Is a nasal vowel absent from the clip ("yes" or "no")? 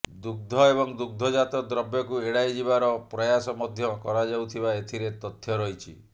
yes